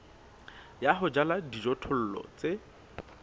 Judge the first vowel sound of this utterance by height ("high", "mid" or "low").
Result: low